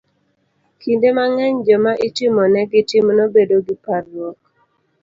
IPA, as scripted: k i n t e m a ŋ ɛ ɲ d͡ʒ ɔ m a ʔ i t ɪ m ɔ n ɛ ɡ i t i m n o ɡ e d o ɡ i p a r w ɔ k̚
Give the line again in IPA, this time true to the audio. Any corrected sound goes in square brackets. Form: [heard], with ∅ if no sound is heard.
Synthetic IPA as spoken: k i n [d] e m a ŋ ɛ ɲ d͡ʒ ɔ m a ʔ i t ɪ m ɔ n ɛ ɡ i t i m n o [b] e d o ɡ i p a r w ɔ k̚